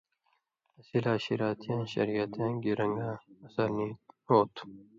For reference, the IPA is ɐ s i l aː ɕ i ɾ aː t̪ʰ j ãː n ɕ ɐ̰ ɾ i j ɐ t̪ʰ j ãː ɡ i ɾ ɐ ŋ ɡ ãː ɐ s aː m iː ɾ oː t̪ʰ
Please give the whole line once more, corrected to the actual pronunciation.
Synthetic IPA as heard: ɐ s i l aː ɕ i ɾ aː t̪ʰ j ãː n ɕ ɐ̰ ɾ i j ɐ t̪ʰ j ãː ɡ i ɾ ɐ ŋ ɡ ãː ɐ s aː n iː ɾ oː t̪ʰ